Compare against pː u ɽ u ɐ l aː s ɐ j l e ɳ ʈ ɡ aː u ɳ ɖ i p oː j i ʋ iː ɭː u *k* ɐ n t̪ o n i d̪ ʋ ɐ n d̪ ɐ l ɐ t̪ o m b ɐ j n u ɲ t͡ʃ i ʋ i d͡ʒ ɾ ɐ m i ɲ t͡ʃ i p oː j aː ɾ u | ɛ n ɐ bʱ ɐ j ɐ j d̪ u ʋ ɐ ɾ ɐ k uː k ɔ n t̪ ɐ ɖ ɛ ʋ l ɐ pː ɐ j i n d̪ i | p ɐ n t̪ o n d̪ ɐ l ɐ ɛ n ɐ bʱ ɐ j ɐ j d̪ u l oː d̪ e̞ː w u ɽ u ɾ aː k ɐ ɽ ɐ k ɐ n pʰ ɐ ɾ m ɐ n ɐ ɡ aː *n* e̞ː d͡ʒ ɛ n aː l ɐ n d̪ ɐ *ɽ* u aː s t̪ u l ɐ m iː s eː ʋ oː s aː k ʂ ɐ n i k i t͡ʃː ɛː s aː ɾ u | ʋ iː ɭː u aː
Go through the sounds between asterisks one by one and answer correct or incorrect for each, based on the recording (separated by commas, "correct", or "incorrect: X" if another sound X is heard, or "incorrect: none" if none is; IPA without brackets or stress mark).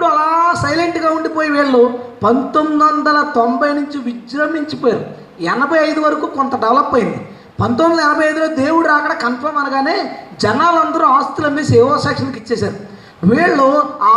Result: incorrect: p, correct, incorrect: ɾ